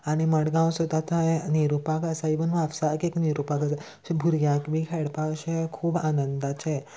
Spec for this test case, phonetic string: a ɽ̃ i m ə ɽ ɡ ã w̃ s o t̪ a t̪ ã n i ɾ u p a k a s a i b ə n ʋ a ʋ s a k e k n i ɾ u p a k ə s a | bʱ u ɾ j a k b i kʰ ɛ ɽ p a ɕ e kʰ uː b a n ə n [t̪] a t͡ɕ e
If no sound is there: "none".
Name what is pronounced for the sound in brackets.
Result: d̪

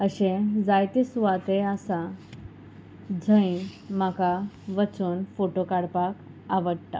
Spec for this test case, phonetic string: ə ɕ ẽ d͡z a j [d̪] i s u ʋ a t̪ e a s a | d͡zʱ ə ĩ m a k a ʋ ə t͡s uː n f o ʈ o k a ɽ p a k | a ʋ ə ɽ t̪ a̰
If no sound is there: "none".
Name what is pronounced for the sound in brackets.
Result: t̪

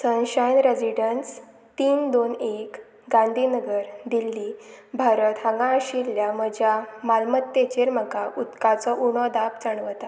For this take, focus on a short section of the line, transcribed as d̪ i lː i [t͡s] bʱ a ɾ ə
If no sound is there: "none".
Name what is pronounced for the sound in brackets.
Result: none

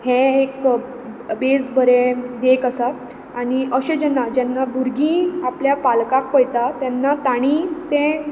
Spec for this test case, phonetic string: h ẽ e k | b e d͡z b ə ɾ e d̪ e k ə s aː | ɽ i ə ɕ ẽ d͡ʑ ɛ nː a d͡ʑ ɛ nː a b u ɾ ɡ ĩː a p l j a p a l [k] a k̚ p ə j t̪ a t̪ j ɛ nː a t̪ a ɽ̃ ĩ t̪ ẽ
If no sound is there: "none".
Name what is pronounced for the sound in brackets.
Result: k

